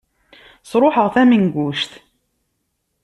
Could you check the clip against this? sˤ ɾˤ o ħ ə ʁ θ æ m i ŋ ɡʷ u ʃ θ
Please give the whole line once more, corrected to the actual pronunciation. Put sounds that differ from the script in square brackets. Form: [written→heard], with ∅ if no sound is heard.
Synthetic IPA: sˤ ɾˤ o ħ ə ʁ θ æ m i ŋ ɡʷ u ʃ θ